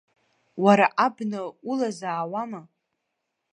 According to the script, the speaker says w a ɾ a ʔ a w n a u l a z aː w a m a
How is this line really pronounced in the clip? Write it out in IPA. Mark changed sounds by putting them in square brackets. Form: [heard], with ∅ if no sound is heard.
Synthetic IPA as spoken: w a ɾ a ʔ a [b] n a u l a z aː w a m a